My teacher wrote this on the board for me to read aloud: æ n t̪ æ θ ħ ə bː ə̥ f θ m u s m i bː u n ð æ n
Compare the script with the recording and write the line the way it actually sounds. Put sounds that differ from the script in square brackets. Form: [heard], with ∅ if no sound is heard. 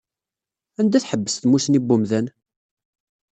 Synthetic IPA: æ n [d̪] æ θ ħ ə bː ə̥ [s] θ m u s [n] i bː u [m] ð æ n